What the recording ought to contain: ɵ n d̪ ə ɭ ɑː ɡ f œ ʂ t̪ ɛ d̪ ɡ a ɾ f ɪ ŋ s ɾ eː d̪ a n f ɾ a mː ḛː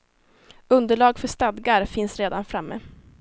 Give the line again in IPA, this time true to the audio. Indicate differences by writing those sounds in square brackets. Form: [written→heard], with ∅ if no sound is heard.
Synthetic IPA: ɵ n d̪ ə ɭ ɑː ɡ f œ ʂ t̪ [ɛ→a] d̪ ɡ a ɾ f ɪ [ŋ→n] s ɾ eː d̪ a n f ɾ a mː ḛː